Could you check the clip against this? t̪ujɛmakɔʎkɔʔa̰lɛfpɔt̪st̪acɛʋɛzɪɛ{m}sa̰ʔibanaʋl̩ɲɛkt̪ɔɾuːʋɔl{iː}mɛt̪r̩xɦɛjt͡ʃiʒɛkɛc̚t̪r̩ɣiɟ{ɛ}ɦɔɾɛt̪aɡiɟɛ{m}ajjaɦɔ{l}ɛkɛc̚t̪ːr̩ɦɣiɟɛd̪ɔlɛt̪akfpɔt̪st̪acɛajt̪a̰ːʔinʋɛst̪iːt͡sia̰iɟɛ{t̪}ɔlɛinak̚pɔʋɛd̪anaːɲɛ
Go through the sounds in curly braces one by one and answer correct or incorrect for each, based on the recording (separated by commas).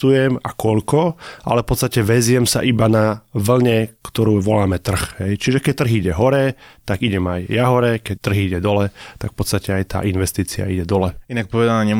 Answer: correct, incorrect, correct, correct, incorrect, incorrect